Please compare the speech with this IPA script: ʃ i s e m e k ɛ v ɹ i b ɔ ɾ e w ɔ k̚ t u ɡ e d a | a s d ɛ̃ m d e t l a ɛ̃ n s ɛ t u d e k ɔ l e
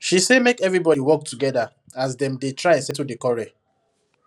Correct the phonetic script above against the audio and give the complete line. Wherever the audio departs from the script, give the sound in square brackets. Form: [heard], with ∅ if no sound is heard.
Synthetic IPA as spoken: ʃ i s e m e k ɛ v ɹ i b ɔ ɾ [i] w ɔ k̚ t u ɡ [ɛ] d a | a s d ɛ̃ m d e t [ɹ] a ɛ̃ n s ɛ t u d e k ɔ [ɹ] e